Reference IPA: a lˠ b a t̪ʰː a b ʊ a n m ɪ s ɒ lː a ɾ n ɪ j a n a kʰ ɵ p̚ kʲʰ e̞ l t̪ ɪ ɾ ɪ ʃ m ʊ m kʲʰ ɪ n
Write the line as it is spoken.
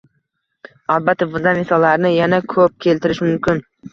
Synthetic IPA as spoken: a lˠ b a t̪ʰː a b ʊ a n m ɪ s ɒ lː a ɾ n ɪ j a n a kʰ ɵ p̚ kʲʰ e̞ l t̪ ɪ ɾ ɪ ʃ m ʊ m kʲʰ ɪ n

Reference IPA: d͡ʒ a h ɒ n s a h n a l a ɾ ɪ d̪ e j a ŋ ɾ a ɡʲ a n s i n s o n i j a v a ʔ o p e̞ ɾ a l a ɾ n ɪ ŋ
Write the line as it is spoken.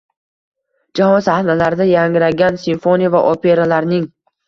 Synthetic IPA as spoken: d͡ʒ a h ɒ n s a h n a l a ɾ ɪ d̪ a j a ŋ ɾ a ɡʲ a n s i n f o n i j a v a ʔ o p e̞ ɾ a l a ɾ n ɪ ŋ

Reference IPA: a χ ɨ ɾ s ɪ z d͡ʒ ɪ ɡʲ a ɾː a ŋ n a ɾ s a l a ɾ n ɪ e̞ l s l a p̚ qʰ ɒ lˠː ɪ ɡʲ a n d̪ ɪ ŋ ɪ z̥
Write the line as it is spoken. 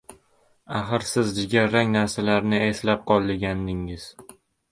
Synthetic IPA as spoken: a χ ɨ ɾ s ɪ z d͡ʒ ɪ ɡʲ a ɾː a ŋ n a ɾ s a l a ɾ n ɪ e̞ s l a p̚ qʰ ɒ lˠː ɪ ɡʲ a n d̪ ɪ ŋ ɪ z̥

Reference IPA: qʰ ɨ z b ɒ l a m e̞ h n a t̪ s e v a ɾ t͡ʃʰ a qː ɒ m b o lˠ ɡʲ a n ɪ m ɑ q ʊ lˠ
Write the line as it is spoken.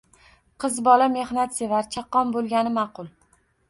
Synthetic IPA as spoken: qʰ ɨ z b ɒ l a m e̞ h n a t̪ s e v a ɾ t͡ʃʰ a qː ɒ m b o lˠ ɡʲ a n ɪ m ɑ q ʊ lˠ

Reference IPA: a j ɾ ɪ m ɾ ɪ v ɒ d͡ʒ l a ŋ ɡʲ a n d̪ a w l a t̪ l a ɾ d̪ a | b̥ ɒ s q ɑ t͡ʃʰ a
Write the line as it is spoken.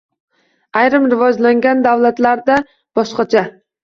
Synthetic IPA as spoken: a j ɾ ɪ m ɾ ɪ v ɒ d͡ʒ l a ŋ ɡʲ a n d̪ a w l a t̪ l a ɾ d̪ a | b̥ ɒ ʃ q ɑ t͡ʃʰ a

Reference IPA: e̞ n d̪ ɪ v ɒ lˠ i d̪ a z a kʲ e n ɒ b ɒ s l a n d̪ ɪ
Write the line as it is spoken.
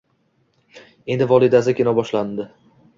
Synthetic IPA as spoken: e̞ n d̪ ɪ v ɒ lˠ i d̪ a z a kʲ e n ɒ b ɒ ʃ l a n d̪ ɪ

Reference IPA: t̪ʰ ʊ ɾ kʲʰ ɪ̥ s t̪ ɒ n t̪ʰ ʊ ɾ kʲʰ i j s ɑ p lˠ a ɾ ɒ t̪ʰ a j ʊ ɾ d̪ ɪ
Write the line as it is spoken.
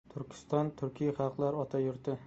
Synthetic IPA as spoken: t̪ʰ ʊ ɾ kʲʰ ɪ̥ s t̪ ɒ n t̪ʰ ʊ ɾ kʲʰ i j χ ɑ q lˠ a ɾ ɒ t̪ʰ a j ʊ ɾ t̪ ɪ

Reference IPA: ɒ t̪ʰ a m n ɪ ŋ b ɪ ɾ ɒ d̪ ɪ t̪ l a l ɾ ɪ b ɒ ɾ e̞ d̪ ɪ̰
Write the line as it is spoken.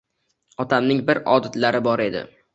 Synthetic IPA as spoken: ɒ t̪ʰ a m n ɪ ŋ b ɪ ɾ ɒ d̪ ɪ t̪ l a ɾ ɪ b ɒ ɾ e̞ d̪ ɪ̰

